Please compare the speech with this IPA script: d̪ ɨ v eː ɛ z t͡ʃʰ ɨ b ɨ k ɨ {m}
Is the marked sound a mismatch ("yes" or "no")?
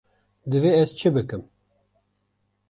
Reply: no